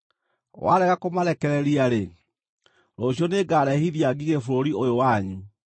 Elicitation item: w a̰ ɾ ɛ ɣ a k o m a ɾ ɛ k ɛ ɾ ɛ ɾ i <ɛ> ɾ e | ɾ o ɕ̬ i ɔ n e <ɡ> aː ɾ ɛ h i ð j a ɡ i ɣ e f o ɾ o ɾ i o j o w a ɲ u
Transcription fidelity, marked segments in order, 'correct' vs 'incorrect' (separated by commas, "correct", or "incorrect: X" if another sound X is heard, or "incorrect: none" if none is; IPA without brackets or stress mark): incorrect: a, correct